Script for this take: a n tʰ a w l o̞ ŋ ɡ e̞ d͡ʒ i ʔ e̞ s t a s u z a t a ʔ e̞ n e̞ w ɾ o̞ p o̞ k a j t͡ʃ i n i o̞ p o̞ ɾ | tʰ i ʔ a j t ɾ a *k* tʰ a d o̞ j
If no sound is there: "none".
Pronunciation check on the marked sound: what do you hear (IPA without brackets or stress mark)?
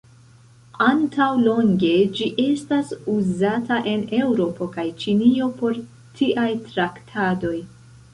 k